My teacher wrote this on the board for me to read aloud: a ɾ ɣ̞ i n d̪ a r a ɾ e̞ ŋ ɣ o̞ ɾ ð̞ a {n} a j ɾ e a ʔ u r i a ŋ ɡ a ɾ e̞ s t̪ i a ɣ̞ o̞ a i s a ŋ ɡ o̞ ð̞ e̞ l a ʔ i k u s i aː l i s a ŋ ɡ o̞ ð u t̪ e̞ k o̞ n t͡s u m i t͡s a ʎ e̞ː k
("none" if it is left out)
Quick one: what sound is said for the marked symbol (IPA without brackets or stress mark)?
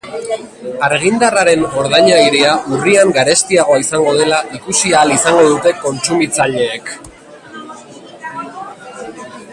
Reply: ɲ